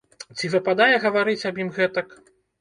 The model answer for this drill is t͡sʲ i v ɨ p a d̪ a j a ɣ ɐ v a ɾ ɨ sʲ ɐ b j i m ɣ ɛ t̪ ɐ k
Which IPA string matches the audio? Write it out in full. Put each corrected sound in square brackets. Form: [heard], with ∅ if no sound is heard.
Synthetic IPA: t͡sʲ i v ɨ p a d̪ a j [ɛ] ɣ ɐ v a ɾ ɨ [t͡sʲ] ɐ b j i m ɣ ɛ t̪ ɐ k